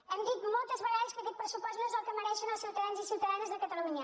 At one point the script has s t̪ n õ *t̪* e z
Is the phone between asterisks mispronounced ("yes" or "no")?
yes